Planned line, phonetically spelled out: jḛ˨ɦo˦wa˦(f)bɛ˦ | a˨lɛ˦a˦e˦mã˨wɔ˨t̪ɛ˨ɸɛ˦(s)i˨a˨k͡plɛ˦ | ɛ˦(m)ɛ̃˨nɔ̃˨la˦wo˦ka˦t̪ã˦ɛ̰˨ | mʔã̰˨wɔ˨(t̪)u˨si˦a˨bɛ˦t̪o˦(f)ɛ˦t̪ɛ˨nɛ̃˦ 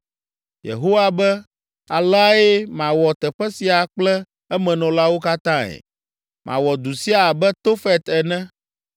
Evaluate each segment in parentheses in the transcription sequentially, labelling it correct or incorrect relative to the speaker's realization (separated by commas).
incorrect, correct, correct, incorrect, correct